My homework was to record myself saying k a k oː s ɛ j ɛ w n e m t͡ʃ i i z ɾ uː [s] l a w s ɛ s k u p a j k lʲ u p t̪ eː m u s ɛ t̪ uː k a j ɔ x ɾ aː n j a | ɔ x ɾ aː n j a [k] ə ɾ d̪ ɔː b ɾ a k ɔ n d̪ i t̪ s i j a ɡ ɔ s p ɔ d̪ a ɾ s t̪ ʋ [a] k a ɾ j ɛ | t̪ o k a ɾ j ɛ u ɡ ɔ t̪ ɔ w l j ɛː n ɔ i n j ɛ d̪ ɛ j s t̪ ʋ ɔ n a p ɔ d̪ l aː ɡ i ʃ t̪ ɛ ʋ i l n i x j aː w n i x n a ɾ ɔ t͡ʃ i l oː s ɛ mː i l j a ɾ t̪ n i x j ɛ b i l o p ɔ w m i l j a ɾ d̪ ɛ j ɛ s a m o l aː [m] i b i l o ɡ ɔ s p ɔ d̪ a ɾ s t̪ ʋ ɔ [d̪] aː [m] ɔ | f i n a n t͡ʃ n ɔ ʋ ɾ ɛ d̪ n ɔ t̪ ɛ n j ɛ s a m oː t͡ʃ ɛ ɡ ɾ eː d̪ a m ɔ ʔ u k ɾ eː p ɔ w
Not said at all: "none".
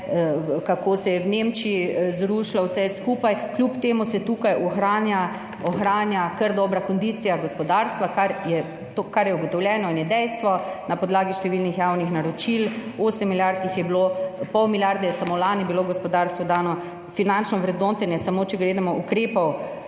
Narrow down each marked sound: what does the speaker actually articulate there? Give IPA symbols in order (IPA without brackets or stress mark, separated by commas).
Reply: ʃ, k, a, n, d̪, n